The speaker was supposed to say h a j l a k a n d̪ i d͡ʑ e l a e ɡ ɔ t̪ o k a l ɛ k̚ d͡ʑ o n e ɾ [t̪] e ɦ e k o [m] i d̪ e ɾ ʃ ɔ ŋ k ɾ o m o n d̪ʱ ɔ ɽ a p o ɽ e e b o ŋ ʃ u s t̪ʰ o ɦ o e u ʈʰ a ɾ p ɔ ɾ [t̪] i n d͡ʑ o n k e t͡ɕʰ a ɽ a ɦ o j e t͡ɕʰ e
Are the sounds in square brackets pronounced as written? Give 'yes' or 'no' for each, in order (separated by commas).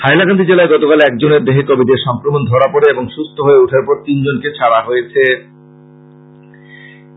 no, no, yes